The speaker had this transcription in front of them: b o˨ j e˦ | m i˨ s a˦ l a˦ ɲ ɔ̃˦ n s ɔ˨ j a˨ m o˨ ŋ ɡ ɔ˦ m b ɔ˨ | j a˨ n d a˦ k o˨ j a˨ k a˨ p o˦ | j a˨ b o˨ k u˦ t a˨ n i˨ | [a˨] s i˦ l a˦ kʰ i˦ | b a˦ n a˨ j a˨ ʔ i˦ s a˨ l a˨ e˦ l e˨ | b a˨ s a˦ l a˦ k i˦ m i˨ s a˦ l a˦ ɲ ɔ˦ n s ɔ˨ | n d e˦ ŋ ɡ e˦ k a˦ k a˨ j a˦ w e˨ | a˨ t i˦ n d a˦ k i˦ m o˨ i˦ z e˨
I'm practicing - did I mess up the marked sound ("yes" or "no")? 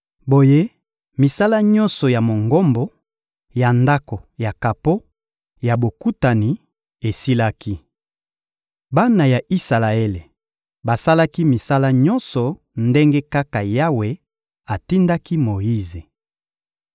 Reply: yes